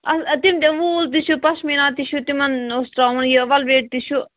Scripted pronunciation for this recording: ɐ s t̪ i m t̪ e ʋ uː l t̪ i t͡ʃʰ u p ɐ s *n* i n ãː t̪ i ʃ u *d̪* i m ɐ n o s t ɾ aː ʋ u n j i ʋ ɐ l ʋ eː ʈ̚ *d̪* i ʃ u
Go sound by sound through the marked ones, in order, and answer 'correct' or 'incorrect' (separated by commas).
incorrect, incorrect, incorrect